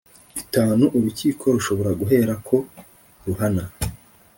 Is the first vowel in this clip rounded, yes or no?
no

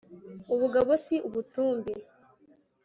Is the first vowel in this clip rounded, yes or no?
yes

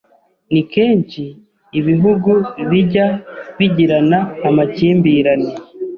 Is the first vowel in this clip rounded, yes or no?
no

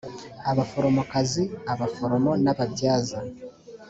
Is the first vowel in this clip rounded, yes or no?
no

